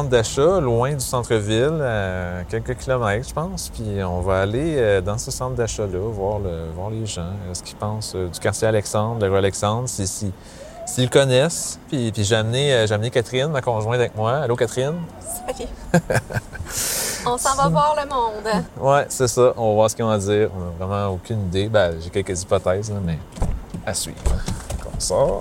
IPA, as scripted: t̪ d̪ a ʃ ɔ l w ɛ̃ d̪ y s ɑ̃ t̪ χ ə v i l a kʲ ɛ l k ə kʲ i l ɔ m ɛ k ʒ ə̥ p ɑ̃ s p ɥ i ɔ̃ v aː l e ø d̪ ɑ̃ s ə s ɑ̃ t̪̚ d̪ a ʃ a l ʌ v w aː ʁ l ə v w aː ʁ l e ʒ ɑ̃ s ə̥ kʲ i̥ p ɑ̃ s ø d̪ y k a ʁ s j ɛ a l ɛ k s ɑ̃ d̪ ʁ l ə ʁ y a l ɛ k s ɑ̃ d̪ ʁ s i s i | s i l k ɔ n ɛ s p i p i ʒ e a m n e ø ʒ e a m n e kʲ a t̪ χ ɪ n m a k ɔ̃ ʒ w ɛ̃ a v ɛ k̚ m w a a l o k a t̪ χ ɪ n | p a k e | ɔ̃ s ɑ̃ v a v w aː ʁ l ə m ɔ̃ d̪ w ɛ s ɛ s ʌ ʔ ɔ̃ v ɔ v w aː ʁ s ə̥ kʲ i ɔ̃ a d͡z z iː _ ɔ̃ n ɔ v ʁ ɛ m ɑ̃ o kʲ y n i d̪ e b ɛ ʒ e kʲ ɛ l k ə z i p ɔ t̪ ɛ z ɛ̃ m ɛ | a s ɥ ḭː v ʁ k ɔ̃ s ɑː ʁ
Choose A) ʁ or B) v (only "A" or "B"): A